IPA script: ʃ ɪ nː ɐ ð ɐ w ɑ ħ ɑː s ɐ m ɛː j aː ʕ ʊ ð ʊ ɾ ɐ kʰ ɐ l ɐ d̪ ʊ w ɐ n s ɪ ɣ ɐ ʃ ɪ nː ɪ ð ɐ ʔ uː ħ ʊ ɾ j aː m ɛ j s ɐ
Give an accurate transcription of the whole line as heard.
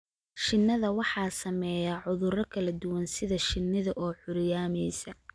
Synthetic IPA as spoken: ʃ ɪ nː ɐ ð ɐ w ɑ ħ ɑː s ɐ m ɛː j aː ʕ ʊ ð ʊ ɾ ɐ kʰ ɐ l ɐ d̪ ʊ w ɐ n s ɪ ð ɐ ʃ ɪ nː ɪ ð ɐ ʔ ɔː ħ ʊ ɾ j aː m ɛ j s ɐ